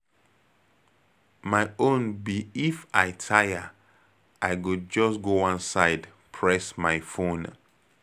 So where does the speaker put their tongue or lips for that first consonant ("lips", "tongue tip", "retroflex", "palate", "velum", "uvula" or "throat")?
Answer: lips